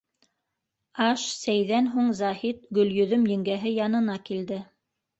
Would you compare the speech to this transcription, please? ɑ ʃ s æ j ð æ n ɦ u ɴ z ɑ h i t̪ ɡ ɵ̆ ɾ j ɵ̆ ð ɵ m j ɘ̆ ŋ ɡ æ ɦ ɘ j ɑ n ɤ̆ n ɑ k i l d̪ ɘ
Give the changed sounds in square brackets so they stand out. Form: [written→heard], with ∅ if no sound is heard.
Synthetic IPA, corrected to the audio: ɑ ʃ s æ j ð æ n ɦ u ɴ z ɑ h i t̪ ɡ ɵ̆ [ɾ→l] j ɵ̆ ð ɵ m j ɘ̆ ŋ ɡ æ ɦ ɘ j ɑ n ɤ̆ n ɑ k i l d̪ ɘ